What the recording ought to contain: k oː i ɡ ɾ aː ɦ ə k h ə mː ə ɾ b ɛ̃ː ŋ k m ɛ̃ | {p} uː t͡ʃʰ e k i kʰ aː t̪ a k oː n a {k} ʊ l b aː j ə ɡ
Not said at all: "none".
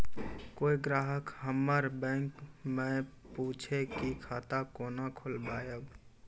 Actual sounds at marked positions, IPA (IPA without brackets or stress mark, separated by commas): p, kʰ